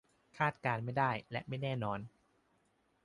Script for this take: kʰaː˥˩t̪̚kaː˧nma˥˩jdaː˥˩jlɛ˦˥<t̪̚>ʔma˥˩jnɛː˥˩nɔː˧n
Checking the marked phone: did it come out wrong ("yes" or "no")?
yes